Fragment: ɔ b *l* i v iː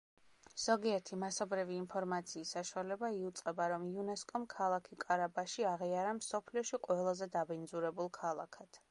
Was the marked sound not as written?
yes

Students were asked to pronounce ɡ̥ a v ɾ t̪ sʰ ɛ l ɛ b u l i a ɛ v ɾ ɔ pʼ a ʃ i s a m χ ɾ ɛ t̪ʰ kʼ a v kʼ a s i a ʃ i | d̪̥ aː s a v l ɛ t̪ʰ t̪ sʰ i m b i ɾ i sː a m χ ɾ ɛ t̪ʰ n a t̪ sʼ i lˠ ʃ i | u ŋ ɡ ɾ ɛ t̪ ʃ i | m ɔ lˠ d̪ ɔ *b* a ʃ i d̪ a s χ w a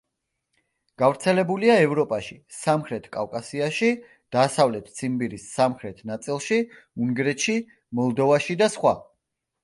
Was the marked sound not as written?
yes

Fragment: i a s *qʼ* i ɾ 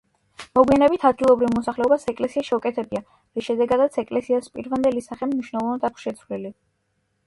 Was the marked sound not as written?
yes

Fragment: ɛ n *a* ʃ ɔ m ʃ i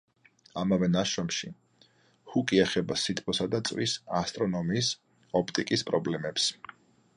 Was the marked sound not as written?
no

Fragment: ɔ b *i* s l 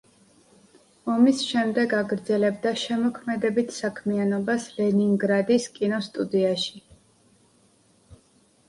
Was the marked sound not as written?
yes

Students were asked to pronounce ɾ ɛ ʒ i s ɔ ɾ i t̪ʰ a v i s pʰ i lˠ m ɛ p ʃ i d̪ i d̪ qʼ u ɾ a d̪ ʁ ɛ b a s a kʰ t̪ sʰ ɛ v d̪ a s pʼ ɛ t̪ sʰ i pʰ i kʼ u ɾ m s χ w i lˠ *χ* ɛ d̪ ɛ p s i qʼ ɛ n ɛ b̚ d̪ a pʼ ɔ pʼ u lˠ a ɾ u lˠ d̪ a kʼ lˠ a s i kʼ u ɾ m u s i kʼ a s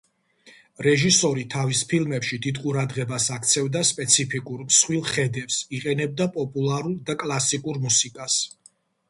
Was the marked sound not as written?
no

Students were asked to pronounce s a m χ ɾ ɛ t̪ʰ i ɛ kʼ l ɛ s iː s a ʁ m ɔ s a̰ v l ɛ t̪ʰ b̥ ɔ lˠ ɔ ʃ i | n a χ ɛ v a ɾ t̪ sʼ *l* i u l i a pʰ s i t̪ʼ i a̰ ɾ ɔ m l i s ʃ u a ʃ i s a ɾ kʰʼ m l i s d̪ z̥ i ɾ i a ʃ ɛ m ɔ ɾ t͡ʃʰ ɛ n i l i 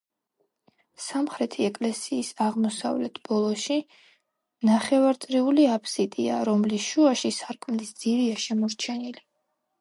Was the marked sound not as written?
yes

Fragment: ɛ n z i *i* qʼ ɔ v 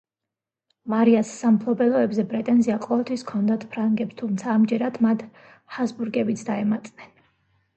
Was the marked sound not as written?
yes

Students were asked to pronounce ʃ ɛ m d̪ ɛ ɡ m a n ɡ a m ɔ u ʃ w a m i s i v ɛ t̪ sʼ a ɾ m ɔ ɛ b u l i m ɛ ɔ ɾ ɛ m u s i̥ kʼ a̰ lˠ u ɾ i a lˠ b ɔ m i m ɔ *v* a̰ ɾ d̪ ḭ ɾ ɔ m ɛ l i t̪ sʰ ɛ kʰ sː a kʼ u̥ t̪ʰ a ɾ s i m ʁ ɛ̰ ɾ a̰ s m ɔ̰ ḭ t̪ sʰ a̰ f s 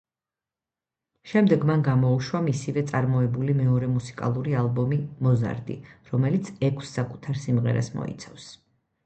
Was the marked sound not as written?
yes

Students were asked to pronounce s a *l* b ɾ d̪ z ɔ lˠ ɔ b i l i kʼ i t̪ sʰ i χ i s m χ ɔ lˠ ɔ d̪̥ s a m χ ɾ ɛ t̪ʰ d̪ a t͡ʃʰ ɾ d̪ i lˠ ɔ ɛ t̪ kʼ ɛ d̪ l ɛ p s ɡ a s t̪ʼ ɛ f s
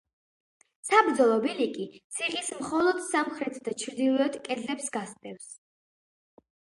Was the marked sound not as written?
yes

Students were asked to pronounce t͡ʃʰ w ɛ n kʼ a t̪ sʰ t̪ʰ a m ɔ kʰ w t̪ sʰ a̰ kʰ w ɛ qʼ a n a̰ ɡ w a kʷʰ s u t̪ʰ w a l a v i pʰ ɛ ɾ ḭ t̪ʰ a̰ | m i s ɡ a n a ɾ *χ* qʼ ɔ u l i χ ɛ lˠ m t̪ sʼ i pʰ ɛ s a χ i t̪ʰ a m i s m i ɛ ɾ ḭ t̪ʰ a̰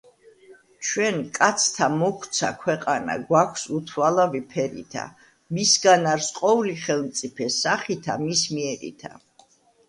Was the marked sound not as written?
yes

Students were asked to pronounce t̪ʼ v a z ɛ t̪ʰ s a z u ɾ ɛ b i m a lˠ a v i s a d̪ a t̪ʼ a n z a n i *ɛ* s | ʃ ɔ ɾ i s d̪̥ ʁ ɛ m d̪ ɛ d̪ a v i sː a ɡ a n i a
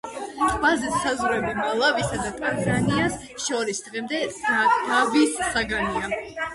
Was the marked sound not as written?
yes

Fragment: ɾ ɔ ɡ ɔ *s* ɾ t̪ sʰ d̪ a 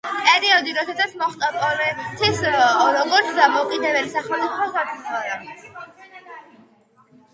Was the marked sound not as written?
yes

